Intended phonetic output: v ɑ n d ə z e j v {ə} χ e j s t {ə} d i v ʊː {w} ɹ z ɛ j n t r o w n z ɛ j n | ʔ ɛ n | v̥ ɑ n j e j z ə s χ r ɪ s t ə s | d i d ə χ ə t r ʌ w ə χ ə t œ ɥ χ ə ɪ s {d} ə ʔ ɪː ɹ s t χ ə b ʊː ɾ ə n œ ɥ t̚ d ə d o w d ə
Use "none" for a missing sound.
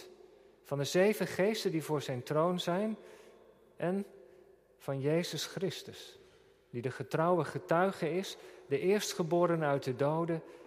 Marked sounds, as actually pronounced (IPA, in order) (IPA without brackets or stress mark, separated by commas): ə, ə, none, d